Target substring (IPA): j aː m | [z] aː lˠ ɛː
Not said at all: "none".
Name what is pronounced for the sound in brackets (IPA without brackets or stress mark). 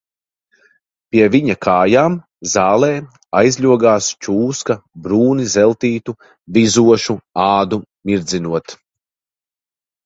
z